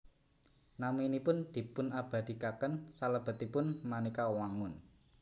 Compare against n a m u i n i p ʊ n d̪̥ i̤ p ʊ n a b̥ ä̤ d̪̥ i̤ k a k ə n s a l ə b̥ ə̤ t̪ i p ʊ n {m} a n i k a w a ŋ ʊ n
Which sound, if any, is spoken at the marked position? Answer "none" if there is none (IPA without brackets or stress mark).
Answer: m